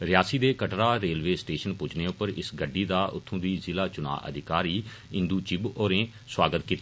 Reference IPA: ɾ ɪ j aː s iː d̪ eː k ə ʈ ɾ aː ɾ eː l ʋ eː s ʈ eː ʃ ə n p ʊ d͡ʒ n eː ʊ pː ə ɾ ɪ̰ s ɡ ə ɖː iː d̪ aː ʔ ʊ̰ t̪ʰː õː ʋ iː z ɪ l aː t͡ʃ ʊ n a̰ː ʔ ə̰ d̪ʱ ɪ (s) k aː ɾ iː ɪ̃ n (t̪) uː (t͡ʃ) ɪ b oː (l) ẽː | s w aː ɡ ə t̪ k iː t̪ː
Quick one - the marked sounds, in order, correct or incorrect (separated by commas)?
incorrect, incorrect, correct, incorrect